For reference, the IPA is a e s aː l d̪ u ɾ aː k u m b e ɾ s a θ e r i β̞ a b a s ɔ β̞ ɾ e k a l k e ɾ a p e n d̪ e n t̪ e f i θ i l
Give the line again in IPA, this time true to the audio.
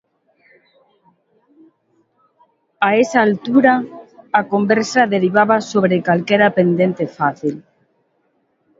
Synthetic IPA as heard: a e s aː l t̪ u ɾ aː k o m b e ɾ s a ð e ɾ i β̞ a β a s o β̞ ɾ e k a l k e ɾ a p e n d̪ e n t̪ e f a θ i l